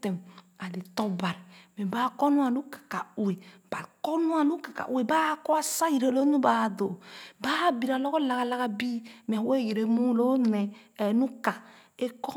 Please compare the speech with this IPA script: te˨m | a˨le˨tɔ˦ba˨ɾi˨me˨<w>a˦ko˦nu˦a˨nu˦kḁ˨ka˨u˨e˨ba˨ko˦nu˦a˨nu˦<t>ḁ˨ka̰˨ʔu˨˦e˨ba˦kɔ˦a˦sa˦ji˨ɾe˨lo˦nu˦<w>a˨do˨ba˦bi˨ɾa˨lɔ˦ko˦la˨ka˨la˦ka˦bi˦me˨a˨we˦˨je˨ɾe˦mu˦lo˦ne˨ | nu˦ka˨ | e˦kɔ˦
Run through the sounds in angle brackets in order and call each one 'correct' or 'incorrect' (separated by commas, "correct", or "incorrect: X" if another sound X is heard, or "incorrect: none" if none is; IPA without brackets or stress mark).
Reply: incorrect: b, incorrect: k, incorrect: b